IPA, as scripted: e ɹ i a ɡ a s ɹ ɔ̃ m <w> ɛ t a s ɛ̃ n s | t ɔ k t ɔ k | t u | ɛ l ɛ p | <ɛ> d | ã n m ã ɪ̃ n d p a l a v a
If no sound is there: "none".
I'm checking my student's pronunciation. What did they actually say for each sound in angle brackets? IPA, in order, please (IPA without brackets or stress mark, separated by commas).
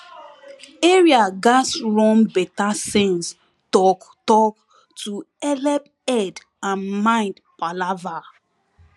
b, ɛ